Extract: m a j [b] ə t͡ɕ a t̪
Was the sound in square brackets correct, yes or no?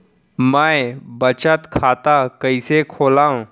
yes